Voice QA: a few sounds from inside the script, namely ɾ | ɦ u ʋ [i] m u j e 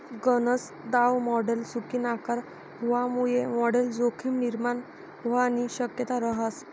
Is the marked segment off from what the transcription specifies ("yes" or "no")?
yes